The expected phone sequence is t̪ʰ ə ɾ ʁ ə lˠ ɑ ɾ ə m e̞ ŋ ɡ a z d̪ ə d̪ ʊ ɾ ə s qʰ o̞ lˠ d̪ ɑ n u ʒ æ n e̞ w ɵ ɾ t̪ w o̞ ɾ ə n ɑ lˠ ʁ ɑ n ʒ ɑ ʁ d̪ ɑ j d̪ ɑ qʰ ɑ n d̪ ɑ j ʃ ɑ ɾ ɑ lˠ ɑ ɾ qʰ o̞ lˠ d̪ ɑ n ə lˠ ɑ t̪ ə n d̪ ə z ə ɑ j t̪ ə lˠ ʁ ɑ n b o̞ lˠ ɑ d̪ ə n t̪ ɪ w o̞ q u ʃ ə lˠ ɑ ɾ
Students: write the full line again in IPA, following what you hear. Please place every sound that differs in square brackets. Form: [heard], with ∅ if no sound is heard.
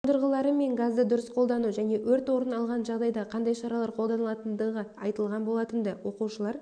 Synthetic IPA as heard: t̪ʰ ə ɾ ʁ ə lˠ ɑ ɾ ə m e̞ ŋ ɡ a z d̪ ə d̪ ʊ ɾ ə s qʰ o̞ lˠ d̪ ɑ n u ʒ æ n e̞ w ɵ ɾ t̪ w o̞ ɾ ə n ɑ lˠ ʁ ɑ n ʒ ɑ ʁ d̪ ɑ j d̪ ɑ qʰ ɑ n d̪ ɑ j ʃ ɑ ɾ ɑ lˠ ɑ ɾ qʰ o̞ lˠ d̪ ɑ n ə lˠ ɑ t̪ ə n d̪ ə [ʁ] ə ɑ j t̪ ə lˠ ʁ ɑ n b o̞ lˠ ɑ [t̪] ə n [d̪] ɪ w o̞ q u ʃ ə lˠ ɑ ɾ